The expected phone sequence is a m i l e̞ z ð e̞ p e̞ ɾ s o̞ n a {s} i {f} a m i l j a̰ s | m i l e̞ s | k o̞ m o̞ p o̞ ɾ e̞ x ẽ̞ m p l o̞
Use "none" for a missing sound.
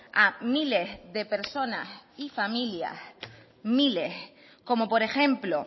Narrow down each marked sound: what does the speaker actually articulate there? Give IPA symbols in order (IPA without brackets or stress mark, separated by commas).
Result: s, f